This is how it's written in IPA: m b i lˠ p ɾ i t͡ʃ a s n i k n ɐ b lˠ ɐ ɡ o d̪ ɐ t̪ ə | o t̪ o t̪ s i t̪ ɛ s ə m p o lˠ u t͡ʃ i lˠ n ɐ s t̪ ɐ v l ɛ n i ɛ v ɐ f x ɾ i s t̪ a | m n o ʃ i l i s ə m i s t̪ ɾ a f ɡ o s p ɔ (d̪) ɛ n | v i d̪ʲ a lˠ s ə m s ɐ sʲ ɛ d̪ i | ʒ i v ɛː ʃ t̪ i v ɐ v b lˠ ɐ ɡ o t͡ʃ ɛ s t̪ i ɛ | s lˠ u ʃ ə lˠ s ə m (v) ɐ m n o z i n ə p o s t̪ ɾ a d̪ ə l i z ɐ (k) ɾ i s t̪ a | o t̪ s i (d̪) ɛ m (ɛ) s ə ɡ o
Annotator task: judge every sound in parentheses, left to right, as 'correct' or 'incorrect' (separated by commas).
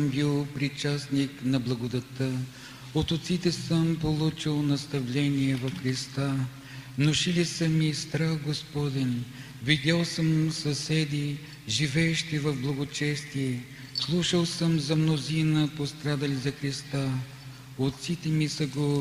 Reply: correct, incorrect, incorrect, incorrect, incorrect